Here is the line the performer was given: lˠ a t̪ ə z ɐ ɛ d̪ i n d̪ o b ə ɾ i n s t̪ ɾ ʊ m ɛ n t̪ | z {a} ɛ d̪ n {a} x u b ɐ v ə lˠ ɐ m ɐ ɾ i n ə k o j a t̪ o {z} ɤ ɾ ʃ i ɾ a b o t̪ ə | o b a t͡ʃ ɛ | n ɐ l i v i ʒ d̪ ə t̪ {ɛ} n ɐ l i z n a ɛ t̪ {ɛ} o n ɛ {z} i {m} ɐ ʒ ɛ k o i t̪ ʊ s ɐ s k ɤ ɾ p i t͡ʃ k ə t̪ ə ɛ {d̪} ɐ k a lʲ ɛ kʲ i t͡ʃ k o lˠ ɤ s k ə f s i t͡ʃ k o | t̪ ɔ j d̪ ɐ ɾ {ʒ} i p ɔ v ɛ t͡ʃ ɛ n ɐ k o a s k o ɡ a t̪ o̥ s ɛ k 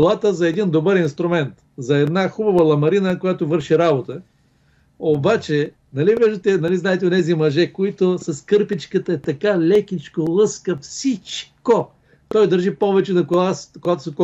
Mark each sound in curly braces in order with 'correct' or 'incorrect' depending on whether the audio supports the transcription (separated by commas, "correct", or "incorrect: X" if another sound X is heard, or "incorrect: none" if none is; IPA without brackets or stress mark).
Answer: incorrect: ɐ, correct, incorrect: v, correct, correct, correct, correct, incorrect: t̪, correct